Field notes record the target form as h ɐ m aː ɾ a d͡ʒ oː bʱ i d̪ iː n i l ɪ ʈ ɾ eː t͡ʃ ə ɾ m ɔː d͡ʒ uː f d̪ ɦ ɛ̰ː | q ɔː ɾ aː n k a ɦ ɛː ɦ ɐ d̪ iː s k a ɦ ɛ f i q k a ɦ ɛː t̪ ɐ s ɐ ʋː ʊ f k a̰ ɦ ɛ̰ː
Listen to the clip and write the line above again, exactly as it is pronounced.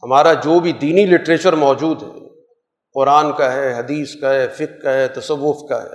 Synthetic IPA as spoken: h ɐ m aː ɾ a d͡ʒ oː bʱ i d̪ iː n i l ɪ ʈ ɾ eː t͡ʃ ə ɾ m ɔː d͡ʒ uː d̪ ɦ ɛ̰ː | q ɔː ɾ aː n k a ɦ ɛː ɦ ɐ d̪ iː s k a ɦ ɛ f ɪ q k a ɦ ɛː t̪ ɐ s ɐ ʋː ʊ f k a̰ ɦ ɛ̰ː